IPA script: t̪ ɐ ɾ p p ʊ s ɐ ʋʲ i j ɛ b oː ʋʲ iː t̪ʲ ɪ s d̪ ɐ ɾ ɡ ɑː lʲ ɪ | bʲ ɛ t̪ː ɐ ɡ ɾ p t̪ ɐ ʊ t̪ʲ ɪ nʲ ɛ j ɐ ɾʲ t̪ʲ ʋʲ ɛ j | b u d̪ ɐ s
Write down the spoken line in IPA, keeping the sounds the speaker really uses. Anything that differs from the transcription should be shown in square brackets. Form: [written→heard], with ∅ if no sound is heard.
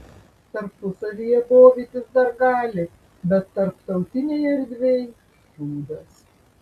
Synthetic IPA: t̪ ɐ ɾ p p ʊ s ɐ ʋʲ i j ɛ b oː ʋʲ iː t̪ʲ ɪ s d̪ ɐ ɾ ɡ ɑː lʲ ɪ | bʲ ɛ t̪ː ɐ [ɡ→∅] ɾ p t̪ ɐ ʊ t̪ʲ ɪ nʲ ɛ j ɐ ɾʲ [t̪ʲ→d̪ʲ] ʋʲ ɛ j | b [u→uː] d̪ ɐ s